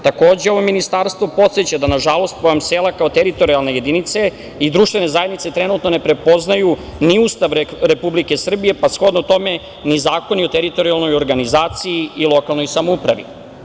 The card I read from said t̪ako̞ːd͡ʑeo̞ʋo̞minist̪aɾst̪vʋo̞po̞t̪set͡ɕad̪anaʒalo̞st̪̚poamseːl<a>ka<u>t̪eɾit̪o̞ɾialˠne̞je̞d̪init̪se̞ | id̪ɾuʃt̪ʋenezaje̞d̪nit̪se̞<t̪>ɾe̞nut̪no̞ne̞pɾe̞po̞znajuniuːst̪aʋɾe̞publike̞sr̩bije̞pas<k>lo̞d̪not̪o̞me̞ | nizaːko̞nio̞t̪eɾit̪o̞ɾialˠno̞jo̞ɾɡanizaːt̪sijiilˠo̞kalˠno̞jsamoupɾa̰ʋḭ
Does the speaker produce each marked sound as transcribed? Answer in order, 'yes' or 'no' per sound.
yes, no, yes, no

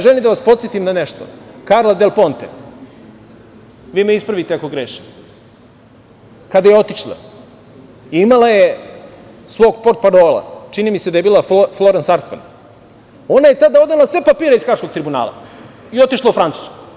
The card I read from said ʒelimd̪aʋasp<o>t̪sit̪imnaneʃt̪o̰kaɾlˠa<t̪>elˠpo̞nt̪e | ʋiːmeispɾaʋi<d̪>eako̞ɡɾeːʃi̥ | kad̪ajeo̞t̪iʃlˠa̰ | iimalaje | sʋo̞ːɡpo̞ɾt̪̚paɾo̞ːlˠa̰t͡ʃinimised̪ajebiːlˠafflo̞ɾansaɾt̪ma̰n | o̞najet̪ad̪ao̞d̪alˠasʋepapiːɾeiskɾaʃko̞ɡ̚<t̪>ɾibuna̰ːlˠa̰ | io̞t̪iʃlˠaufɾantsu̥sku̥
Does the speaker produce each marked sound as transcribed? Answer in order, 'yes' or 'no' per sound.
yes, no, no, yes

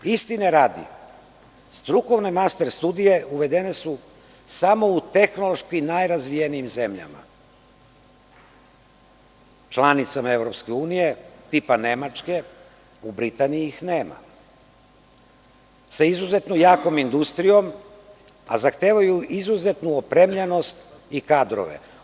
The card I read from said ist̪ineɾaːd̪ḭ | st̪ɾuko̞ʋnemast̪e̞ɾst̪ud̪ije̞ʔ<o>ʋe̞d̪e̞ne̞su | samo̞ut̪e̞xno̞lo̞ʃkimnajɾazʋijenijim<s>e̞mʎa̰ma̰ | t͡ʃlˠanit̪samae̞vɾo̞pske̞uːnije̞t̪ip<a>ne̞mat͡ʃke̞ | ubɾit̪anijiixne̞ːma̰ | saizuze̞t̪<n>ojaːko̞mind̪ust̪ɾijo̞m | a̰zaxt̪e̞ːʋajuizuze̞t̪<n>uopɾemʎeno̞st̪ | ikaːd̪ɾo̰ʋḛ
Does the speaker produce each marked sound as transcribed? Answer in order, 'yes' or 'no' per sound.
no, no, yes, yes, yes

